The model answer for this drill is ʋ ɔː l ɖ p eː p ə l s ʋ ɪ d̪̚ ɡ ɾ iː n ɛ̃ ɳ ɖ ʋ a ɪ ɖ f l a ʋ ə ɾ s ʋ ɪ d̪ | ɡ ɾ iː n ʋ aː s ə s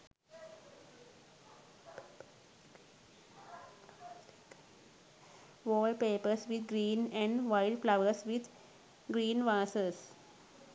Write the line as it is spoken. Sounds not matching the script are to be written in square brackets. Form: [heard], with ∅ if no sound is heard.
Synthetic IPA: ʋ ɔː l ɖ p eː p ə [ɾ] s ʋ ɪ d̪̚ ɡ ɾ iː n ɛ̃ ɳ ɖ ʋ a ɪ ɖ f l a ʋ ə ɾ s ʋ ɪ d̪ | ɡ ɾ iː n ʋ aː s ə s